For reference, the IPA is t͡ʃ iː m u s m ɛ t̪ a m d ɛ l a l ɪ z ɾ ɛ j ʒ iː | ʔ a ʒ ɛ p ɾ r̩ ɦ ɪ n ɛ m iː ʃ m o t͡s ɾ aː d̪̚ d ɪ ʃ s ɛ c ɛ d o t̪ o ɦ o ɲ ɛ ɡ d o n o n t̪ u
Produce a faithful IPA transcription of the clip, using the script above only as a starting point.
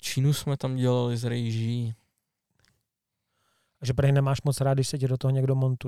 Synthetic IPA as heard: t͡ʃ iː n u s m ɛ t̪ a m ɟ ɛ l a l ɪ z ɾ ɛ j ʒ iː | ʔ a ʒ ɛ p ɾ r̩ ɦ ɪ n ɛ m aː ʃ m o t͡s ɾ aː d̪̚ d ɪ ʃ s ɛ c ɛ d o t̪ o ɦ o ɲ ɛ ɡ d o m o n t̪ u